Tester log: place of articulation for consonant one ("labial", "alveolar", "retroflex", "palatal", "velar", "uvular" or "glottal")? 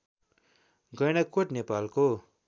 velar